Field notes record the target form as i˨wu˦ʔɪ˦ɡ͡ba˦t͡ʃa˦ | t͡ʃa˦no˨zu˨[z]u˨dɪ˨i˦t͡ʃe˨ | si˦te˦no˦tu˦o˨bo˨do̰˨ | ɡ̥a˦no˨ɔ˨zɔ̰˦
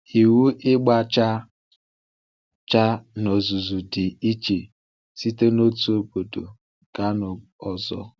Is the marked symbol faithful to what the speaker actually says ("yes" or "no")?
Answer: yes